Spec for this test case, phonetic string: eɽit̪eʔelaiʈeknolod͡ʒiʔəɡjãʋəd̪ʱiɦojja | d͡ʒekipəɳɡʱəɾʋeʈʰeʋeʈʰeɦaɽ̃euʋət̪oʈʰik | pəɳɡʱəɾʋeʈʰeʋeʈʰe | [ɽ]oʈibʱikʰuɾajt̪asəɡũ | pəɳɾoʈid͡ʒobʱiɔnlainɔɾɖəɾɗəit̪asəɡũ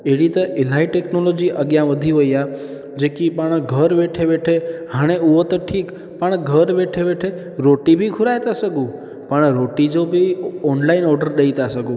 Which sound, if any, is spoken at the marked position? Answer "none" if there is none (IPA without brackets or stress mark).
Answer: ɾ